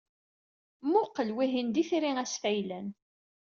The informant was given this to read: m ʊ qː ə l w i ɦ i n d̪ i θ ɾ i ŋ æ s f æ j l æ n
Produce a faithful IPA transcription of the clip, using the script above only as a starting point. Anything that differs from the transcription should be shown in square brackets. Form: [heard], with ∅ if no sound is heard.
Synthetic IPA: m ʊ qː ə l w i ɦ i n d̪ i θ ɾ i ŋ æ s f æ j l æ n